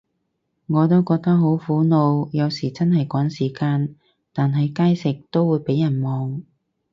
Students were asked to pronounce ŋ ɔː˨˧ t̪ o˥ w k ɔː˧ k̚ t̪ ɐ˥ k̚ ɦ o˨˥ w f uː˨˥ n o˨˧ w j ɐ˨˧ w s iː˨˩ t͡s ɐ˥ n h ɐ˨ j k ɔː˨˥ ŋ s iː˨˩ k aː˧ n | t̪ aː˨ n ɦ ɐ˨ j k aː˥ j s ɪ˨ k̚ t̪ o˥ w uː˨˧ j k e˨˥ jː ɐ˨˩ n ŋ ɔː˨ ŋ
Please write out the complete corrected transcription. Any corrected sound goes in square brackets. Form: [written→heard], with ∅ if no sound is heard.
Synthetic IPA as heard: ŋ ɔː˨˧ t̪ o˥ w k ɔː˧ k̚ t̪ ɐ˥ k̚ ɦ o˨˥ w f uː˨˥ n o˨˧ w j ɐ˨˧ w s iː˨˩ t͡s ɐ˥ n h ɐ˨ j k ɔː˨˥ ŋ s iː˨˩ k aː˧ n | t̪ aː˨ n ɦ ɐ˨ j k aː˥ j s ɪ˨ k̚ t̪ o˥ w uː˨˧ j [k→p] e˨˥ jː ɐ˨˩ n [ŋ→m] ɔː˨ ŋ